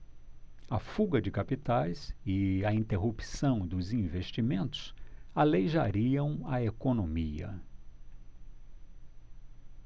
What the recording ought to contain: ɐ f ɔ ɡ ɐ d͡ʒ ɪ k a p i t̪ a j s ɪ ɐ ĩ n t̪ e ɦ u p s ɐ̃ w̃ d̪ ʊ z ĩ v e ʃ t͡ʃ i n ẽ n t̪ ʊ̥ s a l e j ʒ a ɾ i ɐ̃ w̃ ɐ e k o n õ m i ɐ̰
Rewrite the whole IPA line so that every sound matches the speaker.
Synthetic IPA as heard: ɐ f u ɡ ɐ d͡ʒ ɪ k a p i t̪ a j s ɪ ɐ ĩ n t̪ e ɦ u p s ɐ̃ w̃ d̪ ʊ z ĩ v e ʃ t͡ʃ i m ẽ n t̪ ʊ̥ s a l e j ʒ a ɾ i ɐ̃ w̃ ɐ e k o n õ m i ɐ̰